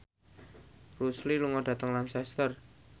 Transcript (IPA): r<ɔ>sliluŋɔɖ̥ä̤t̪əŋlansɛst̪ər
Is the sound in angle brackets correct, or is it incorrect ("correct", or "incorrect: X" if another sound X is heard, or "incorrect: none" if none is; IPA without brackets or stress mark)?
incorrect: u